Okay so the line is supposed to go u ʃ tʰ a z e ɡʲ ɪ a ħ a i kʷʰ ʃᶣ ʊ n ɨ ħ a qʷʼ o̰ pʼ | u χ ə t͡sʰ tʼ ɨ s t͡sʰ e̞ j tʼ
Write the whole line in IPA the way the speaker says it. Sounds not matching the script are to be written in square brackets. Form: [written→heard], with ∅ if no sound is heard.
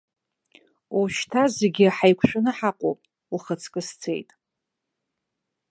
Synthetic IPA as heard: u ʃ tʰ a z e ɡʲ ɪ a ħ a [i→j] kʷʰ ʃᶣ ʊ n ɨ ħ a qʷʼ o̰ pʼ | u χ ə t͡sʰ [tʼ→kʼ] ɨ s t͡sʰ e̞ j tʼ